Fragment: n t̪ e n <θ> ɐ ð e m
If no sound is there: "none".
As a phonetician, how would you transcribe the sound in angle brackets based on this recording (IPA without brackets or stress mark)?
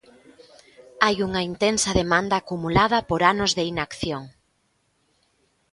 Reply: s